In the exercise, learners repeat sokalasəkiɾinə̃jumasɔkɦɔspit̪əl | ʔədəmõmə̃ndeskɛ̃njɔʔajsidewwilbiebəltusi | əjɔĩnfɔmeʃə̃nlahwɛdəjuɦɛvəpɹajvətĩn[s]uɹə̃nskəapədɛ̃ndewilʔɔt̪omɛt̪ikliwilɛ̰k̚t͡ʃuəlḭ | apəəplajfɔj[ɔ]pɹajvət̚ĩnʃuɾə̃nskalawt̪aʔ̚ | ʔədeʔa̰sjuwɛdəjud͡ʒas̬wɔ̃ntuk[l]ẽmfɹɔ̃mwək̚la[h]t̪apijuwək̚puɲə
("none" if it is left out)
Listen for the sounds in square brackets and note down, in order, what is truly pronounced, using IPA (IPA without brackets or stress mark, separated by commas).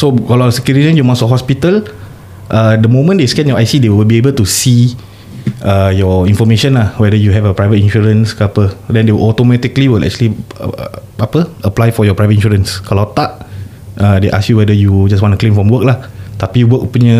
ʃ, ɔ, l, h